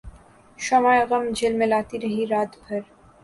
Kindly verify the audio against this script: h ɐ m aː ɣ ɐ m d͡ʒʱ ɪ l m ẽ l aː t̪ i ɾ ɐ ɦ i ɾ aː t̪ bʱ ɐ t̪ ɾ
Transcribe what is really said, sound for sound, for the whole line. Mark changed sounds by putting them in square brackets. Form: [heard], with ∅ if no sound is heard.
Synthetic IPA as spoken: [ʃ] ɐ m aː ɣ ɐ m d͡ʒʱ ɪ l m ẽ l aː t̪ i ɾ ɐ ɦ i ɾ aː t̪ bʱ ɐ [∅] ɾ